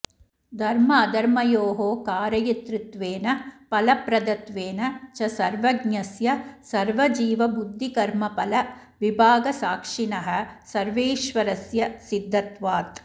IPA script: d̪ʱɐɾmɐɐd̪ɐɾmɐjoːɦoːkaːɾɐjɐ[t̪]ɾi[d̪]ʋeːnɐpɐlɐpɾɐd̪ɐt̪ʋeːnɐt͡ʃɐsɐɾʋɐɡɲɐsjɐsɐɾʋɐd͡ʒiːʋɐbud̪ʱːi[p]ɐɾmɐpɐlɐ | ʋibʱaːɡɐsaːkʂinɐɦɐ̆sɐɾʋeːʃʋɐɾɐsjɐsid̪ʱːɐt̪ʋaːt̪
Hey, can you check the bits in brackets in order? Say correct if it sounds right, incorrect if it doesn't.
correct, incorrect, incorrect

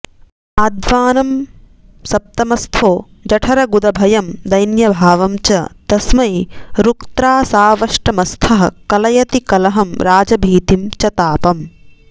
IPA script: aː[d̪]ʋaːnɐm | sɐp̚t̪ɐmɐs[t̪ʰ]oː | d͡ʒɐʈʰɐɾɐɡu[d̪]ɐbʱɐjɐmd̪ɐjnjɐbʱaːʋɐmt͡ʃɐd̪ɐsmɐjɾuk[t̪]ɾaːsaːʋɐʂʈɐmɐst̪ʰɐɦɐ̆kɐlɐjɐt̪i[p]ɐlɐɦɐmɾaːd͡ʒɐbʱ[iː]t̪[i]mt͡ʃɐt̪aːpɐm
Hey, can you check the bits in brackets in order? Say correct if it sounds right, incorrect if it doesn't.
correct, correct, correct, correct, incorrect, correct, correct

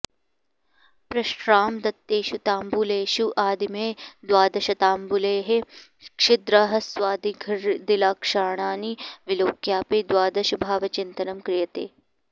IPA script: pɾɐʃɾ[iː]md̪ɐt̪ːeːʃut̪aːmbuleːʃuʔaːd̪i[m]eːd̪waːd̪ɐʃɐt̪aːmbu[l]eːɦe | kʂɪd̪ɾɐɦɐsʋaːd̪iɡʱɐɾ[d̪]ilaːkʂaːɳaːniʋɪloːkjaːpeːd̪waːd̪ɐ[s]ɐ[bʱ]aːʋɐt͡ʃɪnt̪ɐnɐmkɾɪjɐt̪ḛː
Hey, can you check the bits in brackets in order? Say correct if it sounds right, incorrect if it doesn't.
incorrect, correct, correct, correct, incorrect, correct

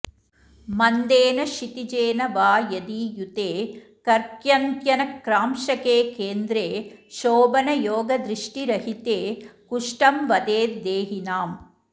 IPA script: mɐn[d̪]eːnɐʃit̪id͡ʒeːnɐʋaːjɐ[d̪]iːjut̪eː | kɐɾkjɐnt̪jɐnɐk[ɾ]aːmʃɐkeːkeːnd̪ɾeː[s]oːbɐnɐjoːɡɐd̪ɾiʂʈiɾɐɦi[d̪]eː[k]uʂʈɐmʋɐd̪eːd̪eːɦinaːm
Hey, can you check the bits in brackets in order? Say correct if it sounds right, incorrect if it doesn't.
correct, correct, correct, incorrect, incorrect, correct

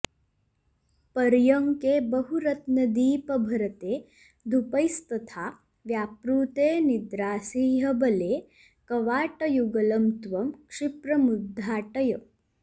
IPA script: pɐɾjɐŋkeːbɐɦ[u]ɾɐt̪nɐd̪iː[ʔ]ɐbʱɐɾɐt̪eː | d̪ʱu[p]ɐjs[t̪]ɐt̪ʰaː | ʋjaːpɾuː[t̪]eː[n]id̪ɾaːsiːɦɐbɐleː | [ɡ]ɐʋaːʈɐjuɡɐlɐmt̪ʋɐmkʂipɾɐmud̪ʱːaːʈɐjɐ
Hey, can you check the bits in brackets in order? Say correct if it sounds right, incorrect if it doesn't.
correct, incorrect, correct, correct, correct, correct, incorrect

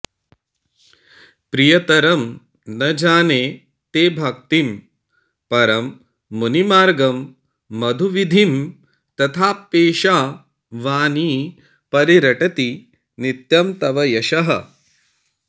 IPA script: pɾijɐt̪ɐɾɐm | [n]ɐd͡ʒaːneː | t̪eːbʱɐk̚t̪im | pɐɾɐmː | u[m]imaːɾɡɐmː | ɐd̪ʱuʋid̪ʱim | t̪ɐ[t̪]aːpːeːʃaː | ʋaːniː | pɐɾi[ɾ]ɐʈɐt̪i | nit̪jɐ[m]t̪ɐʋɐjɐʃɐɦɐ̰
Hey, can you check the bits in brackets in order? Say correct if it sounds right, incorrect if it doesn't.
correct, incorrect, incorrect, correct, correct

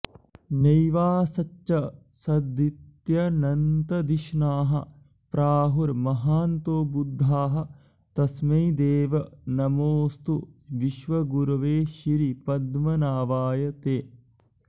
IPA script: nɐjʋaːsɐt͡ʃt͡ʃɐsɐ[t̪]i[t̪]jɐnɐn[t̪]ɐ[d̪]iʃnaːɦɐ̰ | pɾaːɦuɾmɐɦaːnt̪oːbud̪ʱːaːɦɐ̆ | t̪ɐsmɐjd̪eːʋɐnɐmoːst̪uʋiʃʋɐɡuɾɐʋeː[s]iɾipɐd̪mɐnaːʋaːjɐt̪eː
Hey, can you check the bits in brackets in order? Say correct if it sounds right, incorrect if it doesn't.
incorrect, correct, correct, correct, incorrect

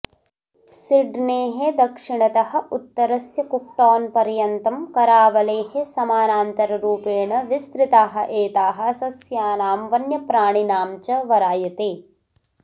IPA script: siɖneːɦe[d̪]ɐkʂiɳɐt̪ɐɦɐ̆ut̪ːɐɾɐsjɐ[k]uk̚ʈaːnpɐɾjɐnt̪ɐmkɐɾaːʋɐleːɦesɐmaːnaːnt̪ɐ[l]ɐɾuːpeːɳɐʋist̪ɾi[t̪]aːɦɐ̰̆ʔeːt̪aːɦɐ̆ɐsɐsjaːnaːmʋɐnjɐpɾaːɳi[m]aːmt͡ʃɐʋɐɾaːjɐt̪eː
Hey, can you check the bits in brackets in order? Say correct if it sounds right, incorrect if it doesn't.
correct, correct, incorrect, correct, incorrect

